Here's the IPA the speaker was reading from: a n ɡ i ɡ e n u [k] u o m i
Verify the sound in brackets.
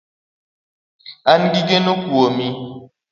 correct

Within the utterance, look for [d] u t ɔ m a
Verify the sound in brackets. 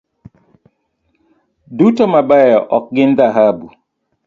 correct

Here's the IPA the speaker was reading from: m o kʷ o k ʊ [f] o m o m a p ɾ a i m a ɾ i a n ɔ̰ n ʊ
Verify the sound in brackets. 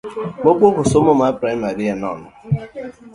incorrect: s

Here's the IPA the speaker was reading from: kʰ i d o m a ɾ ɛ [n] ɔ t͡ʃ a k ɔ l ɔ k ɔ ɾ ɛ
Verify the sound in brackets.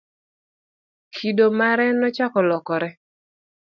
correct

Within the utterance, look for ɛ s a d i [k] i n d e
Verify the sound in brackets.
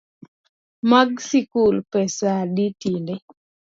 incorrect: t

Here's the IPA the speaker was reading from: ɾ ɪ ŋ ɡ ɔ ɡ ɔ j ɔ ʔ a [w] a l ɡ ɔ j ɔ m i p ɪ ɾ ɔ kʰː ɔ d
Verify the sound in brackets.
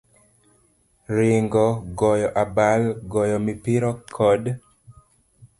incorrect: b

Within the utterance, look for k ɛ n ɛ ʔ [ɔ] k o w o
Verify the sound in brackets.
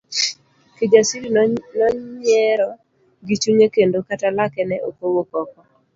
incorrect: o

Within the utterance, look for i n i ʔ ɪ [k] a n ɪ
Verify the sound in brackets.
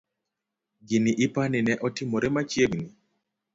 incorrect: p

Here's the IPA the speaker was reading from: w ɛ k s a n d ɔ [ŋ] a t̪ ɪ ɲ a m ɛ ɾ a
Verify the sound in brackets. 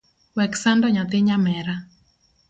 incorrect: ɲ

